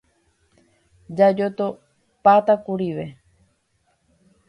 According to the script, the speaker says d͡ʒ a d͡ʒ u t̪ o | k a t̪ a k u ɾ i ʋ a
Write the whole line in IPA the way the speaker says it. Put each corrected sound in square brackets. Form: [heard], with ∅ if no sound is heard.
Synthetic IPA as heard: d͡ʒ a d͡ʒ [o] t̪ o | [p] a t̪ a k u ɾ i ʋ [e]